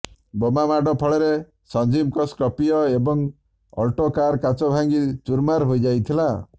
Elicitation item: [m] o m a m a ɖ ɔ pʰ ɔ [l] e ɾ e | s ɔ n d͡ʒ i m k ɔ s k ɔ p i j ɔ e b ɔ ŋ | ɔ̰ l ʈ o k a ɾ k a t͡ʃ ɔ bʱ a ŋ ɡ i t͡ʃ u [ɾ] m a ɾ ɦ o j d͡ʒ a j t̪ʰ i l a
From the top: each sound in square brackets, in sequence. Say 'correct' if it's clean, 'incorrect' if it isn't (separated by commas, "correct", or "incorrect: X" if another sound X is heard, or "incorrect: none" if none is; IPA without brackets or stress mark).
incorrect: b, incorrect: ɭ, correct